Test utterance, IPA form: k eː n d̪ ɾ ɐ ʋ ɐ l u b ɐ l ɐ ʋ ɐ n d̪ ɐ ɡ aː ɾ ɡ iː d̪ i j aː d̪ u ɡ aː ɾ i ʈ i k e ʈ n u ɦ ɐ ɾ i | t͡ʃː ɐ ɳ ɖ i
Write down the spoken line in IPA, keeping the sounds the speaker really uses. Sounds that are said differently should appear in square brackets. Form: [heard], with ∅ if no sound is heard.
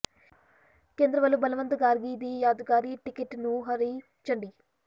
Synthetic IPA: k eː n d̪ ɾ ɐ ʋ ɐ l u b ɐ l ɐ ʋ ɐ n [t̪] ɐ ɡ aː ɾ ɡ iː d̪ i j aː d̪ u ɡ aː ɾ i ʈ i k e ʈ n u ɦ ɐ ɾ i | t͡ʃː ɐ ɳ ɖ i